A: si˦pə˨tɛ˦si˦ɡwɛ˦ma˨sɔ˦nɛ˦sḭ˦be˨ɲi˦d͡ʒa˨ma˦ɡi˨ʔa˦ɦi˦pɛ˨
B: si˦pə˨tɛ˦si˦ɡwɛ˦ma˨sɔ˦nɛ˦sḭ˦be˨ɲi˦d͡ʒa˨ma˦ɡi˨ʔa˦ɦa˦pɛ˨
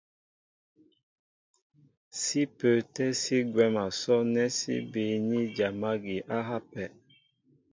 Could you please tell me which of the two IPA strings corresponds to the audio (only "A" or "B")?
B